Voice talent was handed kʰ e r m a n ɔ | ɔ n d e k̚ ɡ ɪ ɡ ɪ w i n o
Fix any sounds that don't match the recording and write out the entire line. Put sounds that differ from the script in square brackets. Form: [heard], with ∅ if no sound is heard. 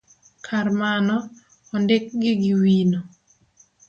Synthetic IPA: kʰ [a] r m a n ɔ | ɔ n d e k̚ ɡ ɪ ɡ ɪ w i n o